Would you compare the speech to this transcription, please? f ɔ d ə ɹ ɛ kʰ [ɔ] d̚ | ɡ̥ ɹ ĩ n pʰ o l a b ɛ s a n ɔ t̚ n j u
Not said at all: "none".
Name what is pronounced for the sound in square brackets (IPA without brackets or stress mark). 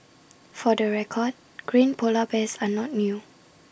ɔ